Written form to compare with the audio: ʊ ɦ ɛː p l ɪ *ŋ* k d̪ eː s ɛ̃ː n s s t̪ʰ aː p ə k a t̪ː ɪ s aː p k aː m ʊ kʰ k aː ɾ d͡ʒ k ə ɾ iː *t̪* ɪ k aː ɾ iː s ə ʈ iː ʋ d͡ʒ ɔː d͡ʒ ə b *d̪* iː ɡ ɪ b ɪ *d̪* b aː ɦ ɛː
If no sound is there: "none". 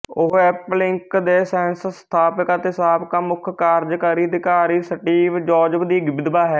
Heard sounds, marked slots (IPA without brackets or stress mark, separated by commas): ŋ, d̪, d̪, d̪